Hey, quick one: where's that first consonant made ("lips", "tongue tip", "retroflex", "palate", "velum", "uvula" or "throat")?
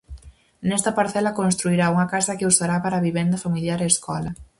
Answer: tongue tip